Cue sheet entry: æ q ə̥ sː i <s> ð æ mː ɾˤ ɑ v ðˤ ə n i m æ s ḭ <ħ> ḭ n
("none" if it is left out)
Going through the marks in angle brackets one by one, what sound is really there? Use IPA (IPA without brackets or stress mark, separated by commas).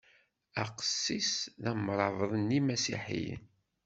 s, ħ